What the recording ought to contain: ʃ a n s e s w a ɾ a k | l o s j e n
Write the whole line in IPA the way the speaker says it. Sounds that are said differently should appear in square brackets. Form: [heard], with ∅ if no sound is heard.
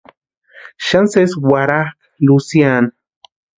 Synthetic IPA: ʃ a n s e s w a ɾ a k | l [u] s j [a] n

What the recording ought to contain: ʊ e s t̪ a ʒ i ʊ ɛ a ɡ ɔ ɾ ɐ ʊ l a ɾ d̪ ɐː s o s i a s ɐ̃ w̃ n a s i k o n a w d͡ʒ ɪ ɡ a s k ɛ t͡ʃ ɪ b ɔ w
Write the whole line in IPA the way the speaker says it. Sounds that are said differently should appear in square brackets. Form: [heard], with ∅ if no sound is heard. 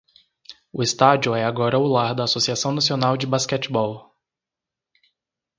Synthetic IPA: ʊ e s t̪ a [d͡ʒ] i ʊ ɛ a ɡ ɔ ɾ ɐ ʊ l a ɾ d̪ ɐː s o s i a s ɐ̃ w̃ n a s i [∅] o n a w d͡ʒ ɪ [b] a s k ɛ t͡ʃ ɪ b ɔ w

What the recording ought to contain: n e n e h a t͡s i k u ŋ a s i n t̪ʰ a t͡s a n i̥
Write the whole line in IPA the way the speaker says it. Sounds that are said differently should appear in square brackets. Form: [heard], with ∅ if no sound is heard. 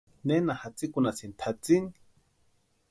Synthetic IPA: n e n [a] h a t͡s i k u [n] a s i n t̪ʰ a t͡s [i] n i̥

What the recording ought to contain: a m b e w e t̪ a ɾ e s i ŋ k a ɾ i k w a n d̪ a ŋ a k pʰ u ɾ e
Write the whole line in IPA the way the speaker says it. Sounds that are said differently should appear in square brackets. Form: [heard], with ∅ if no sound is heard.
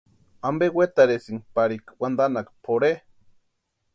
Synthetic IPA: a m b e w e t̪ a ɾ e s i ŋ [p] a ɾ i k w a n d̪ a [n] a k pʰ [o] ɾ e

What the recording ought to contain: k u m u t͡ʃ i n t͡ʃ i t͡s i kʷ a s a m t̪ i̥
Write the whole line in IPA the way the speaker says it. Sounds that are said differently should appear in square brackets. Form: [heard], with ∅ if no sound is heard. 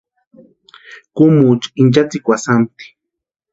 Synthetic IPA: k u m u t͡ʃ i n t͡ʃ [a] t͡s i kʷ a s a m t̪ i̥

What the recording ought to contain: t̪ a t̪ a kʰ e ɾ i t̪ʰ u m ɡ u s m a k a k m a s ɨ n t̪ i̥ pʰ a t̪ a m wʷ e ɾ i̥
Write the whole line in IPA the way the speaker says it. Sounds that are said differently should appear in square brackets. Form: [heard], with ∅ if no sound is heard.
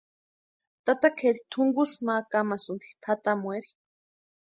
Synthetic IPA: t̪ a t̪ a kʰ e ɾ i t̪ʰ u [ŋ] ɡ u s m a k a [∅] m a s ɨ n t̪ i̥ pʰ a t̪ a m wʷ e ɾ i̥

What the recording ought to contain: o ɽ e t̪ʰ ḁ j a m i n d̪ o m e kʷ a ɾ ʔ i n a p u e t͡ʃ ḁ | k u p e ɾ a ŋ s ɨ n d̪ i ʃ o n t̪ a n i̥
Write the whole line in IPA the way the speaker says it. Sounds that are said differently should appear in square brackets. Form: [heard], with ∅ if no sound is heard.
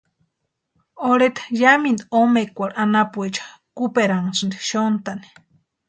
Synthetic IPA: o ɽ e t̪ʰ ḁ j a m i n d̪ o m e kʷ a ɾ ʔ [a] n a p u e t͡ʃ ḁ | k u p e ɾ a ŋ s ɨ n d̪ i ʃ o n t̪ a n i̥

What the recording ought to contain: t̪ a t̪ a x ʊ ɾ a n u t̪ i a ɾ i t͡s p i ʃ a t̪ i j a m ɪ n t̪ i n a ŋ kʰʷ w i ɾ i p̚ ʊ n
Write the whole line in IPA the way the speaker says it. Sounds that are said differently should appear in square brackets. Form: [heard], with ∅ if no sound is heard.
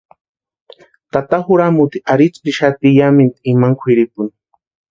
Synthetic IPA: t̪ a t̪ a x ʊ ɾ a [m] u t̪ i a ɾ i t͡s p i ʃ a t̪ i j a m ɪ n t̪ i [m] a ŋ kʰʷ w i ɾ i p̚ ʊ n

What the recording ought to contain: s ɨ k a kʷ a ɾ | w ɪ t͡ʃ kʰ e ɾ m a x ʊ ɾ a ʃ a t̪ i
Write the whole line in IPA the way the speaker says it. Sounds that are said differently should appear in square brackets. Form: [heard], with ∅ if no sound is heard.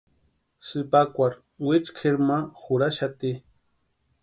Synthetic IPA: s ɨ [p] a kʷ a ɾ | w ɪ t͡ʃ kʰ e ɾ m a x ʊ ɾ a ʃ a t̪ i

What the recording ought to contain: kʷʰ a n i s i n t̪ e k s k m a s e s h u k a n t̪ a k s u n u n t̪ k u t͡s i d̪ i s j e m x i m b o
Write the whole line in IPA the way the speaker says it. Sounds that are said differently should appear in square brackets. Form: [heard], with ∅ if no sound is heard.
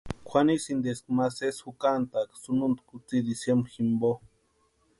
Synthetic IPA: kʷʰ a n i s i n [d̪] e [∅] s k m a s e s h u k a n t̪ a k s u n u n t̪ k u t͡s i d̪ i s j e m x i m b o

